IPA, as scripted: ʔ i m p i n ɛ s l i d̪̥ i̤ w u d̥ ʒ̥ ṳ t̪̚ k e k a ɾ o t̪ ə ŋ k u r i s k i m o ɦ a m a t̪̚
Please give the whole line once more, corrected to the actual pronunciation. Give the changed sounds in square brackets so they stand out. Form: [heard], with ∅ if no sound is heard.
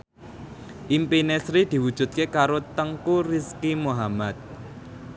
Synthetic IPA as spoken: ʔ i m p i n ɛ s [ɾ] i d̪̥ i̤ w u d̥ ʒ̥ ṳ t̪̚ k e k a ɾ o t̪ ə ŋ k u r i s k i m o ɦ a m a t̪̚